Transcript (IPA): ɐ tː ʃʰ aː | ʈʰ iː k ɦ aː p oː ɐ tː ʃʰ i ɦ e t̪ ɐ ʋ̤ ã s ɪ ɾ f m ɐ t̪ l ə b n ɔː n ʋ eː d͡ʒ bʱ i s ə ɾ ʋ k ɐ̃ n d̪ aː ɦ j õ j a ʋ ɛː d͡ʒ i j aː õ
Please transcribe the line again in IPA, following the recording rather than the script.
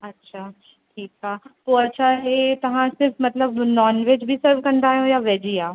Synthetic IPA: ɐ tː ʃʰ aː | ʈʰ iː k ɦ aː p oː ɐ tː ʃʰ a ɦ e t̪ ɐ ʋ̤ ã s ɪ ɾ f m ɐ t̪ l ə b n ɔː n ʋ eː d͡ʒ bʱ i s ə ɾ ʋ k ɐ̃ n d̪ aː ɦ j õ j a ʋ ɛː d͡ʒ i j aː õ

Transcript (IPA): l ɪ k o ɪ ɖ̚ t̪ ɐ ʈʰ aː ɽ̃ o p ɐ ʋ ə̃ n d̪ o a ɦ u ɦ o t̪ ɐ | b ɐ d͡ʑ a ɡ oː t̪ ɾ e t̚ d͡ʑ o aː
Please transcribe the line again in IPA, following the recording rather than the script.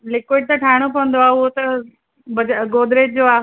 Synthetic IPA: l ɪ k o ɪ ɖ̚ t̪ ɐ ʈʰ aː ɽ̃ o p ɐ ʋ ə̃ n d̪ o a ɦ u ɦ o t̪ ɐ | b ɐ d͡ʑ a ɡ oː d̪ ɾ e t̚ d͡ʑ o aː

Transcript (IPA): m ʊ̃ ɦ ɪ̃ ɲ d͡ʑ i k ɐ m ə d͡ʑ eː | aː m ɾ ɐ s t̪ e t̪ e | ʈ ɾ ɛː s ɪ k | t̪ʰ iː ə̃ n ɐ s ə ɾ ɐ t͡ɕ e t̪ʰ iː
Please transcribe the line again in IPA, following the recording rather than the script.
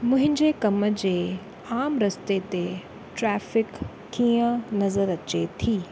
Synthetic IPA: m ʊ̃ ɦ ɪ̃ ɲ d͡ʑ e k ɐ m ə d͡ʑ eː | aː m ɾ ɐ s t̪ e t̪ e | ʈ ɾ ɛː f ɪ k | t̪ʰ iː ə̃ n ɐ z ə ɾ ɐ t͡ɕ e t̪ʰ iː

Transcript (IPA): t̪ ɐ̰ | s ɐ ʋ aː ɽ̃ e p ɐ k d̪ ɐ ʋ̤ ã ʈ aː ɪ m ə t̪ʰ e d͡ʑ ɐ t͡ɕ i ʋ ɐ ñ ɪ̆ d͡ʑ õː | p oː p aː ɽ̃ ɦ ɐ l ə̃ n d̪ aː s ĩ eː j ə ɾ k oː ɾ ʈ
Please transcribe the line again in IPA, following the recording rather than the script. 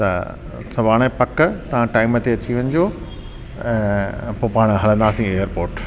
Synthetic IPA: t̪ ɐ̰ | s ɐ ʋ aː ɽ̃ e p ɐ k t̪ ɐ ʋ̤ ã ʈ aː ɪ m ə t̪ e ɐ t͡ɕ i ʋ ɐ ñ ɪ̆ d͡ʑ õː | p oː p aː ɽ̃ ɦ ɐ l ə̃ n d̪ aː s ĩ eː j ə ɾ p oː ɾ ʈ

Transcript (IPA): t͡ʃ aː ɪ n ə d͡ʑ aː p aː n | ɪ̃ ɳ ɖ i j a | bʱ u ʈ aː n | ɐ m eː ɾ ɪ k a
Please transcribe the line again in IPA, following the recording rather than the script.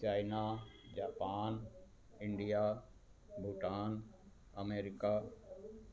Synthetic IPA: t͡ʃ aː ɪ n a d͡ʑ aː p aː n | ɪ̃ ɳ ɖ i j a | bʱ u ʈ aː n | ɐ m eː ɾ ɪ k a

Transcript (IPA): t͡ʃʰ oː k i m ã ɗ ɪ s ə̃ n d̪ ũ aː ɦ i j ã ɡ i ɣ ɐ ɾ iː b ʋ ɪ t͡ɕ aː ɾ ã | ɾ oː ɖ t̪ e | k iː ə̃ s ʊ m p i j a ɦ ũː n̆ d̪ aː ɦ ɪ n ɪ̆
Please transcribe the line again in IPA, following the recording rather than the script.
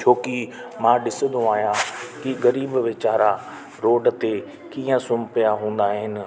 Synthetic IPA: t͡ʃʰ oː k i m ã ɗ ɪ s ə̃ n d̪ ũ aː ɦ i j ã k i ɣ ɐ ɾ iː b ʋ ɪ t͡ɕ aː ɾ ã | ɾ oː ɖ t̪ e | k iː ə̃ s ʊ m p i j a ɦ ũː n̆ d̪ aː ɦ ɪ n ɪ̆

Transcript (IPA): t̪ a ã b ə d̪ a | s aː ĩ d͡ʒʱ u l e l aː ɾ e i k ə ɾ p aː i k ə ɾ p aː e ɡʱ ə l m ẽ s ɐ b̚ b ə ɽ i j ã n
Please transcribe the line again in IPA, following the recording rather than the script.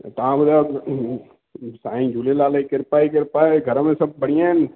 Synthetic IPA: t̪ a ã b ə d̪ a | s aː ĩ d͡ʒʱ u l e l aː l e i k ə ɾ p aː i k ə ɾ p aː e ɡʱ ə ɾ m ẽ s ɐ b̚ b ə ɽ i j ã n

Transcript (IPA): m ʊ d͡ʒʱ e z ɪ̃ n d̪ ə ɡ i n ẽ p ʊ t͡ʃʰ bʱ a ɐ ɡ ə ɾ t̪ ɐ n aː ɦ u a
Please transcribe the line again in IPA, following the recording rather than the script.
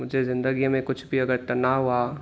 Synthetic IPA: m ʊ d͡ʒʱ e z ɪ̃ n d̪ ə ɡ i m ẽ k ʊ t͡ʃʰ bʱ i ɐ ɡ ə ɾ t̪ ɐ n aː ɦ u a

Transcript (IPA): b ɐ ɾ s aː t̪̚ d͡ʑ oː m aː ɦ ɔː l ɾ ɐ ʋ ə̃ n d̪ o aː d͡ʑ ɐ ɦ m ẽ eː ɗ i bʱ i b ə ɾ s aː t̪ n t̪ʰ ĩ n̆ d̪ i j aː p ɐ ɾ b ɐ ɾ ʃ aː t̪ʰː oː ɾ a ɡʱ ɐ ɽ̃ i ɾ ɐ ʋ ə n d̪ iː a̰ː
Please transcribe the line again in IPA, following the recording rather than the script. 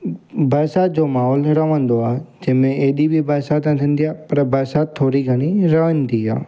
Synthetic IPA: b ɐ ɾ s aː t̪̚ d͡ʑ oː m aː ɦ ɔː l ɾ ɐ ʋ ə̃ n d̪ o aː d͡ʑ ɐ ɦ m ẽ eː ɗ i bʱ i b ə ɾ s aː t̪ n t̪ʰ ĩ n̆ d̪ i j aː p ɐ ɾ b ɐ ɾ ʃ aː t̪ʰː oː ɾ i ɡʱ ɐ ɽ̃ i ɾ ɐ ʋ ə n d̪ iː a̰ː

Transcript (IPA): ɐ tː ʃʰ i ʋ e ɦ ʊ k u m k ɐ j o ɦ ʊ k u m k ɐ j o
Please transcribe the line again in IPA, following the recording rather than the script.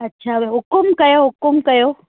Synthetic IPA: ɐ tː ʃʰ a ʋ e ɦ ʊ k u m k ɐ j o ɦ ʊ k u m k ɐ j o

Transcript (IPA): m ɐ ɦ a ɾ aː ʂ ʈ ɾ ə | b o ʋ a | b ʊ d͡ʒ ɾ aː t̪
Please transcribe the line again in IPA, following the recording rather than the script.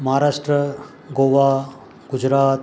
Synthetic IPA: m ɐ ɦ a ɾ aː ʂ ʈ ɾ ə | ɡ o ʋ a | ɡ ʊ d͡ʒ ɾ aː t̪

